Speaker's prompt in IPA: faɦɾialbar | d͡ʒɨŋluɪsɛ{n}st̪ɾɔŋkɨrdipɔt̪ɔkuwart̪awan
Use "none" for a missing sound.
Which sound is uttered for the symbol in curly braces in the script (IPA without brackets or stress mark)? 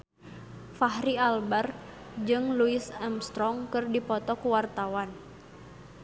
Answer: m